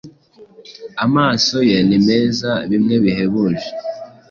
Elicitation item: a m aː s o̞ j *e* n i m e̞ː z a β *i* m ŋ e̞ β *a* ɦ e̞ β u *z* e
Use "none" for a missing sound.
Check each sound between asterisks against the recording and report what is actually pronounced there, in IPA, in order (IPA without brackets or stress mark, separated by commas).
e, i, i, ʒ